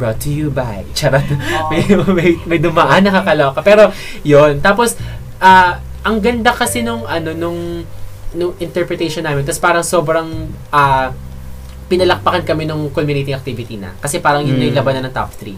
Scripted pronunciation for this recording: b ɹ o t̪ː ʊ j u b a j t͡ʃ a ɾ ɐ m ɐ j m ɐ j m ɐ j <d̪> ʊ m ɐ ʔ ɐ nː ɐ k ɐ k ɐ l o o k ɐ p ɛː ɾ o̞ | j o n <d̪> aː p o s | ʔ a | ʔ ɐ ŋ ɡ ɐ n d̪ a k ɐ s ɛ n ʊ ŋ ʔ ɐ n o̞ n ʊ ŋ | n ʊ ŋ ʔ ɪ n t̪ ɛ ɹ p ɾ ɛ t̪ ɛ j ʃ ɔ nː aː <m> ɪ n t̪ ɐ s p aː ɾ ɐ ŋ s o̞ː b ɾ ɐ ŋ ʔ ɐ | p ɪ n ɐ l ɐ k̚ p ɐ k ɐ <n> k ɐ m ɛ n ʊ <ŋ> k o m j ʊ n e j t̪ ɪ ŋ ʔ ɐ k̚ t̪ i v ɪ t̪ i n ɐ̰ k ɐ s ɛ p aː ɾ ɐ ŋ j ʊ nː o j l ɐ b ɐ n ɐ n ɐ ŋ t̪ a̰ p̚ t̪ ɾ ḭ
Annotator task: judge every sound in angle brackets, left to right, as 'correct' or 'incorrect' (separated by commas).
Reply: correct, incorrect, correct, correct, correct